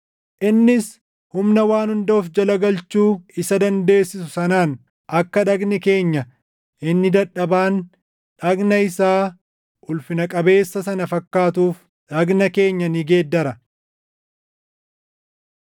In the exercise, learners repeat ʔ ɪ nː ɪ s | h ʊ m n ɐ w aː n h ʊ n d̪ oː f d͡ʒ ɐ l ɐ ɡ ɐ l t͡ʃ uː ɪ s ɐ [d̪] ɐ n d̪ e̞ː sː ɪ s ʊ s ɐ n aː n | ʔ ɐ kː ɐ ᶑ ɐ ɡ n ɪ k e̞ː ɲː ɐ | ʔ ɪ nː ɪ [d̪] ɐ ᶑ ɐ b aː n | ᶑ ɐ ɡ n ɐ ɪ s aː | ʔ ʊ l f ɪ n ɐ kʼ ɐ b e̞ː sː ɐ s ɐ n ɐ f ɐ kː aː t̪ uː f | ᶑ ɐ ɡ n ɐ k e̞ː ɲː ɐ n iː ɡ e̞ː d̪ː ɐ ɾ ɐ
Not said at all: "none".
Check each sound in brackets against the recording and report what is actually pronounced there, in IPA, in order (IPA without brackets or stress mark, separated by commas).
d̪, d̪